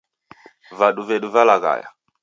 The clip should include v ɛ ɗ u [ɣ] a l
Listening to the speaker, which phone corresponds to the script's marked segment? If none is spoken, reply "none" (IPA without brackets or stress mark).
v